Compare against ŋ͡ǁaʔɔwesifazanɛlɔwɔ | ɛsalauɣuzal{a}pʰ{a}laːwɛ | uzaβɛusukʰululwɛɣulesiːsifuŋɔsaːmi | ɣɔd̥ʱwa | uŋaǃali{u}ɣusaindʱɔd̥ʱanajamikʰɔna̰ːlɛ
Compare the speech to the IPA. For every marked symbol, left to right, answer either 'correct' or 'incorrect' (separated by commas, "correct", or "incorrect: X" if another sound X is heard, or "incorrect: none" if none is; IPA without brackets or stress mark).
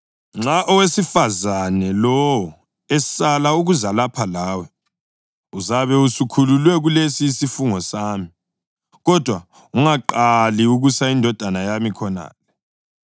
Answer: correct, correct, correct